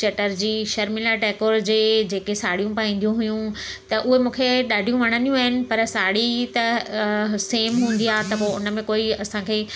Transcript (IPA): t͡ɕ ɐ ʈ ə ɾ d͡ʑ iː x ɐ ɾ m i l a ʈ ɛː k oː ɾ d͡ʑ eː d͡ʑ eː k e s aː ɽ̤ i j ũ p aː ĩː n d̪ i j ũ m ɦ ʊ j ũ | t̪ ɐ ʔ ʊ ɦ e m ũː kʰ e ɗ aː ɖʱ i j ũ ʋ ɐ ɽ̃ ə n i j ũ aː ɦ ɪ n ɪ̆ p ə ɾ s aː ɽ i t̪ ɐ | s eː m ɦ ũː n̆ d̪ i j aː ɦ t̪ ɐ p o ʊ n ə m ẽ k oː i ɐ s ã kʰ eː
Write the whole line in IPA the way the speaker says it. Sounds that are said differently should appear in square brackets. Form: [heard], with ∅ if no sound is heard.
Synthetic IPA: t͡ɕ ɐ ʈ ə ɾ d͡ʑ iː [ʃ] ɐ ɾ m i l a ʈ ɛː k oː ɾ d͡ʑ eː d͡ʑ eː k e s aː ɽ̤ i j ũ p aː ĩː n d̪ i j ũ [∅] ɦ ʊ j ũ | t̪ ɐ ʔ ʊ ɦ e m ũː kʰ e ɗ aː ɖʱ i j ũ ʋ ɐ ɽ̃ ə n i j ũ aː ɦ ɪ n ɪ̆ p [ɐ] ɾ s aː ɽ i t̪ ɐ | s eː m ɦ ũː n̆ d̪ i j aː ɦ t̪ ɐ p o ʊ n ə m ẽ k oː i ɐ s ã kʰ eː